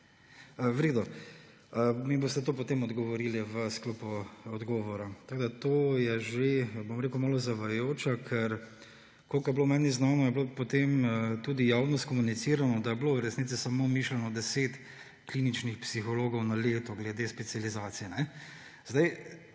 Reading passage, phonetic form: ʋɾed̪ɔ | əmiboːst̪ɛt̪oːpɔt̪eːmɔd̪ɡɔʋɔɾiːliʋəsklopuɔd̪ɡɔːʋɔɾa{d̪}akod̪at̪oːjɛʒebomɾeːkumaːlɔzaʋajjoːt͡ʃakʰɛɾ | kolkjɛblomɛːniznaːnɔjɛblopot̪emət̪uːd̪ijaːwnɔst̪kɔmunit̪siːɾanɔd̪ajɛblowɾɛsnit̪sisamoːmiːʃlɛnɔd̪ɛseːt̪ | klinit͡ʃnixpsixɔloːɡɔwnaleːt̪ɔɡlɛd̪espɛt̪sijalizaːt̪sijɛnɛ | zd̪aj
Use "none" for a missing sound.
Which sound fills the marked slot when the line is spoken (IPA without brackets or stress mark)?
t̪